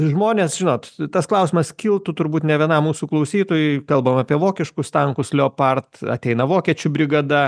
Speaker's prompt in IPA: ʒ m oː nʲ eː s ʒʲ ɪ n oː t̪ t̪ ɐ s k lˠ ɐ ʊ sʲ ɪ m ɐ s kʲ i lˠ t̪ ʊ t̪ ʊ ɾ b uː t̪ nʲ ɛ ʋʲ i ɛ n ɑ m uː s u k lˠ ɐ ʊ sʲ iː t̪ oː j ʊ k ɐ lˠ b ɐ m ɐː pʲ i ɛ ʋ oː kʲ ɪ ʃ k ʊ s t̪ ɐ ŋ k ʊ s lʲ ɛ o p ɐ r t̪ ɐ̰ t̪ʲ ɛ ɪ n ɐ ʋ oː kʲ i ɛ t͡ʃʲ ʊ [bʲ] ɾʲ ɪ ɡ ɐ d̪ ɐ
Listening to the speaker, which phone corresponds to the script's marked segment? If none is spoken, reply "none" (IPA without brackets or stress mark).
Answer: bʲ